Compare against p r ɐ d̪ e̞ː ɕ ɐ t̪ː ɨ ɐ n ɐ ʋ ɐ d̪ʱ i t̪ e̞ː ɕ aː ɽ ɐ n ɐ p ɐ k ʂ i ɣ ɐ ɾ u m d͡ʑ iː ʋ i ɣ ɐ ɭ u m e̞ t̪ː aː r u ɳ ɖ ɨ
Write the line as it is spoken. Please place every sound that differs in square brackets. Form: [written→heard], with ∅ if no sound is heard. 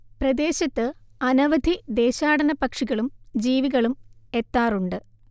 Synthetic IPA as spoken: p r ɐ d̪ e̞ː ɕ ɐ t̪ː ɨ ɐ n ɐ ʋ ɐ d̪ʱ i [t̪→d̪] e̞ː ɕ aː ɽ ɐ n ɐ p ɐ k ʂ i ɣ ɐ [ɾ→ɭ] u m d͡ʑ iː ʋ i ɣ ɐ ɭ u m e̞ t̪ː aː r u ɳ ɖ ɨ

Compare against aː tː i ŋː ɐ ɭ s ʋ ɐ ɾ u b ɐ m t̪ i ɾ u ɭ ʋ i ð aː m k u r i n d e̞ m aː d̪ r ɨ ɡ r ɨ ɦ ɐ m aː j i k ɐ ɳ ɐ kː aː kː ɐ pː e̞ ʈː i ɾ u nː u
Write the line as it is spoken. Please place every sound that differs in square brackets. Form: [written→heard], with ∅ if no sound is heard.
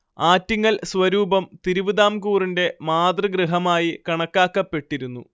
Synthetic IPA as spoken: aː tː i ŋː ɐ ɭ s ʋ ɐ ɾ [u→uː] b ɐ m t̪ i ɾ u [ɭ→∅] ʋ i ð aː m k [u→uː] r i n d e̞ m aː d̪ r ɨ ɡ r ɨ ɦ ɐ m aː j i k ɐ ɳ ɐ kː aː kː ɐ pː e̞ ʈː i ɾ u nː u

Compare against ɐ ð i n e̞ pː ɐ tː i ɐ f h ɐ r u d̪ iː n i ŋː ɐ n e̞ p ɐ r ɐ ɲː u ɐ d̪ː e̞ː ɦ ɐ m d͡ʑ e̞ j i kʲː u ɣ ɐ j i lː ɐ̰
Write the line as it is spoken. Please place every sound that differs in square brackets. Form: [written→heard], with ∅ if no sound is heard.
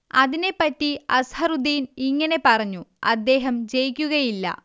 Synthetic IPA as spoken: ɐ ð i n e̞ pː ɐ tː i ɐ [f→s] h ɐ r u d̪ iː n i ŋː ɐ n e̞ p ɐ r ɐ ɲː u ɐ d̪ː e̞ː ɦ ɐ m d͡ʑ e̞ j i kʲː u ɣ ɐ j i lː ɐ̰

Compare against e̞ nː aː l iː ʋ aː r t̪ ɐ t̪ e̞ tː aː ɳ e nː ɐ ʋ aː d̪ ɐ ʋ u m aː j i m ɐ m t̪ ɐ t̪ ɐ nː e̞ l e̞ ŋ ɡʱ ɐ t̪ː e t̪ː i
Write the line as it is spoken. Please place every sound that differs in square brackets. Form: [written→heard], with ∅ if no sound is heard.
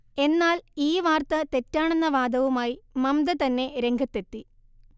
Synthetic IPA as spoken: e̞ nː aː l iː ʋ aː r t̪ ɐ t̪ e̞ tː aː ɳ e nː ɐ ʋ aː d̪ ɐ ʋ u m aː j i m ɐ m [t̪→d̪] ɐ t̪ ɐ nː e̞ [l→ɾ] e̞ ŋ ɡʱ ɐ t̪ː e t̪ː i

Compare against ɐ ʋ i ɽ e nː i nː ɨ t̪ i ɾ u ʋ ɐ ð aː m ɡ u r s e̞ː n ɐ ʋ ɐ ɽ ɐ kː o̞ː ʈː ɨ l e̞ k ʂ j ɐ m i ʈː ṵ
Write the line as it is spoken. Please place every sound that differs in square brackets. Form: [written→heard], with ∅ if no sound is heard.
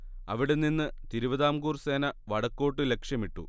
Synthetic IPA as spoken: ɐ ʋ i ɽ e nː i nː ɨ t̪ i ɾ u ʋ ɐ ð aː m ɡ [u→uː] r s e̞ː n ɐ ʋ ɐ ɽ ɐ kː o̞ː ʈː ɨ l e̞ k ʂ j ɐ m i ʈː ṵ

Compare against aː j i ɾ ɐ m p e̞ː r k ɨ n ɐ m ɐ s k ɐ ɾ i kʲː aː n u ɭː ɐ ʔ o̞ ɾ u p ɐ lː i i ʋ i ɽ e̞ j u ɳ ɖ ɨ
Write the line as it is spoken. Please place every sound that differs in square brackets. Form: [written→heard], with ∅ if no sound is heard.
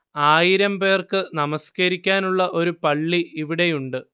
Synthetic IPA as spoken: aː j i ɾ ɐ m p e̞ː r k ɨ n ɐ m ɐ s k ɐ ɾ i kʲː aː n u ɭː ɐ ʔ o̞ ɾ u p ɐ [lː→ɭː] i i ʋ i ɽ e̞ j u ɳ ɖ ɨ

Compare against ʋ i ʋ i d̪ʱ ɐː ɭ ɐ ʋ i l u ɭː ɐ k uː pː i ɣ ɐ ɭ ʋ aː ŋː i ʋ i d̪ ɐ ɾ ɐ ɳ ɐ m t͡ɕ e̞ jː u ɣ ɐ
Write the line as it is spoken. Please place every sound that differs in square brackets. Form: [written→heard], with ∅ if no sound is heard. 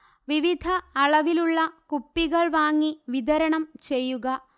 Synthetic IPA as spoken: ʋ i ʋ i d̪ʱ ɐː ɭ ɐ ʋ i l u ɭː ɐ k [uː→u] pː i ɣ ɐ ɭ ʋ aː ŋː i ʋ i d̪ ɐ ɾ ɐ ɳ ɐ m t͡ɕ e̞ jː u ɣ ɐ

